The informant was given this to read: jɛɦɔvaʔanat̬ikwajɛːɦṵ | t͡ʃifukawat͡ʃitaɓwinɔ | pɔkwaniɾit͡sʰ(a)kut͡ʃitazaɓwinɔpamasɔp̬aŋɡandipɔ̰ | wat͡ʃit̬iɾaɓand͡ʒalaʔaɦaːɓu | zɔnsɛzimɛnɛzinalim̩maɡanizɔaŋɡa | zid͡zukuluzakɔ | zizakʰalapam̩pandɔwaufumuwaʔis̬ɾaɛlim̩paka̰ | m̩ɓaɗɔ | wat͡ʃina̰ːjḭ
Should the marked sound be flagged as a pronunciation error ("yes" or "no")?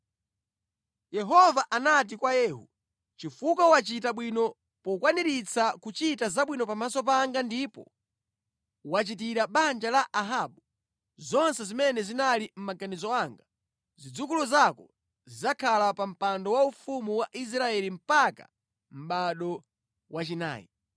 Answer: no